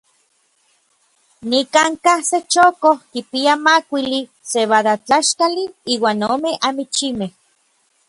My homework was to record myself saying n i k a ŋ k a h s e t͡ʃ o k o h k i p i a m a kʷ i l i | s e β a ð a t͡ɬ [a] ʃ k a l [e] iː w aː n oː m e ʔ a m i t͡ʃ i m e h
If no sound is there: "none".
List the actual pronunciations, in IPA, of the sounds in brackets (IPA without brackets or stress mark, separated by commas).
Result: a, i